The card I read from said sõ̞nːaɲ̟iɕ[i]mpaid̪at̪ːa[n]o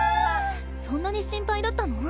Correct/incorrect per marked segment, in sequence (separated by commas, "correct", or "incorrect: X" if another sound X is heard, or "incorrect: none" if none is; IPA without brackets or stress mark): incorrect: ĩ, correct